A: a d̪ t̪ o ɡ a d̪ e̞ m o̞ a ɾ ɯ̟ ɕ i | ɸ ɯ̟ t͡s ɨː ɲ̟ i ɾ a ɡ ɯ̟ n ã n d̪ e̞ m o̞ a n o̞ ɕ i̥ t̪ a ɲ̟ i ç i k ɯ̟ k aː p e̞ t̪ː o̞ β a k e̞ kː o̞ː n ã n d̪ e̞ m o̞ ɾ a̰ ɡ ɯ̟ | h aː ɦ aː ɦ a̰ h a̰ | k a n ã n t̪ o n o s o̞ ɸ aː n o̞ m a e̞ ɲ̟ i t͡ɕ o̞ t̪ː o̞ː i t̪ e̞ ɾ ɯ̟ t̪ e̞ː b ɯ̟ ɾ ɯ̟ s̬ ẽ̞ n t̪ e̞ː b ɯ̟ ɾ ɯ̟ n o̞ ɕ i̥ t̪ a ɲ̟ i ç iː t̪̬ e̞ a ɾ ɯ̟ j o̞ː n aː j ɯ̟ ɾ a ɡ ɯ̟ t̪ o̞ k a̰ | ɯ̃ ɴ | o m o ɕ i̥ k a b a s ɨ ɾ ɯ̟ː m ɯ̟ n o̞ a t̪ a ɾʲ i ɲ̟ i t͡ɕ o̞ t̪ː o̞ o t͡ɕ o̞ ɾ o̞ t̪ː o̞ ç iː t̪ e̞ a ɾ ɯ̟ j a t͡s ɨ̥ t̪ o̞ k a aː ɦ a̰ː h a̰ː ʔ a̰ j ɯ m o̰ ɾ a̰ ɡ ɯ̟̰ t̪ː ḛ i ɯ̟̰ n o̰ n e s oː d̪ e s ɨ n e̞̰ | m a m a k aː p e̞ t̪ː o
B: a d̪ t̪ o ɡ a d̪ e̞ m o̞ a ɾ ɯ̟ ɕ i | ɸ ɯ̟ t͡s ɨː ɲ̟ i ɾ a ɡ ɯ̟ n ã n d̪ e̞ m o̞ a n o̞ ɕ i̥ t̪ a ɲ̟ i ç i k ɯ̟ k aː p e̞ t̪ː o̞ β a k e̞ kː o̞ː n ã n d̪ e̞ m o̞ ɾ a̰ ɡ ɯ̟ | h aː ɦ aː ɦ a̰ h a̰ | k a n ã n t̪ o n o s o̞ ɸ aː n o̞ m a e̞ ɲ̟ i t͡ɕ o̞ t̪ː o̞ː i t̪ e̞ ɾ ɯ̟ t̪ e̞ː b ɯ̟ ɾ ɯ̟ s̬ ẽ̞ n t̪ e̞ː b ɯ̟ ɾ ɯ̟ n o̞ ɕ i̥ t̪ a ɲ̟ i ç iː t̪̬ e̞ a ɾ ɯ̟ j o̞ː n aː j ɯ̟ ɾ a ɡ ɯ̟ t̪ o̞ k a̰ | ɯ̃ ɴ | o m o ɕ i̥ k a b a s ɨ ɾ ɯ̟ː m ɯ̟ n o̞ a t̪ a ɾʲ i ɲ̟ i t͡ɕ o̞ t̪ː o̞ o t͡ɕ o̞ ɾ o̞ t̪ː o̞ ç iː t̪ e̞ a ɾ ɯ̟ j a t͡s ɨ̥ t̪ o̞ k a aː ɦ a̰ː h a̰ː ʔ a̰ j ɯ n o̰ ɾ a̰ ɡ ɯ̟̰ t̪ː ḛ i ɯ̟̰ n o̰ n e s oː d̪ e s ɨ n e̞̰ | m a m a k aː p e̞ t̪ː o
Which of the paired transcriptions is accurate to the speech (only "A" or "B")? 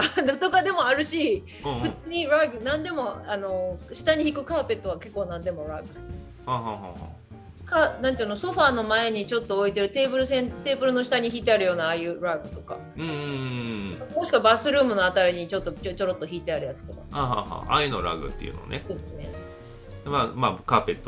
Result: B